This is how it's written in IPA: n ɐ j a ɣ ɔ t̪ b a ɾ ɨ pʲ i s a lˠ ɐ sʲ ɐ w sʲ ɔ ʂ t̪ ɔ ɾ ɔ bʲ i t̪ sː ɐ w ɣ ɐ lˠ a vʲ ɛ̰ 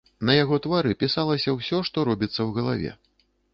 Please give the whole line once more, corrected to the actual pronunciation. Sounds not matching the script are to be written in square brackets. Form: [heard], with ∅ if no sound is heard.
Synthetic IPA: n ɐ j a ɣ ɔ t̪ [v] a ɾ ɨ pʲ i s a lˠ ɐ sʲ ɐ w sʲ ɔ ʂ t̪ ɔ ɾ ɔ bʲ i t̪ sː ɐ w ɣ ɐ lˠ a vʲ ɛ̰